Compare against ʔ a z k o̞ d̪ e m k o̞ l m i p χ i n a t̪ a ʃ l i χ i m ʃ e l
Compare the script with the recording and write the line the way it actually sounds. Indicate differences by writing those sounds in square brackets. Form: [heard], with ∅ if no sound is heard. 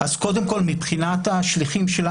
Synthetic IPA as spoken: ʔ a z k o̞ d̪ e m k o̞ l m i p χ i n a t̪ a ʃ l i χ i m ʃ e l